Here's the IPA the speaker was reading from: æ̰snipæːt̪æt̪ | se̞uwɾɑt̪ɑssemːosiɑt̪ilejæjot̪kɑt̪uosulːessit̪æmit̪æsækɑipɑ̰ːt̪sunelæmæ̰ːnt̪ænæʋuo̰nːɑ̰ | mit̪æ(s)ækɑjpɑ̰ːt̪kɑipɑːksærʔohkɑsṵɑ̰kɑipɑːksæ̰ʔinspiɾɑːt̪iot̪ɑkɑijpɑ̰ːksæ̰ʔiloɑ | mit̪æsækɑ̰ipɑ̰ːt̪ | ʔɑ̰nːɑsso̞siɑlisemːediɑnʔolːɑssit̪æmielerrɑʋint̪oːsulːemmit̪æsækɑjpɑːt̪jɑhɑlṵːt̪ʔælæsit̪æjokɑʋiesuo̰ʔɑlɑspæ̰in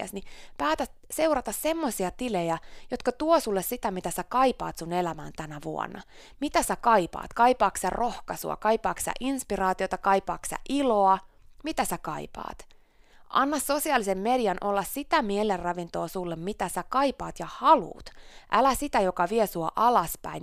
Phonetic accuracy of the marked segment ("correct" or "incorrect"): correct